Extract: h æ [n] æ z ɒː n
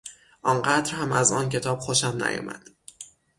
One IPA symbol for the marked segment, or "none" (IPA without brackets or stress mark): m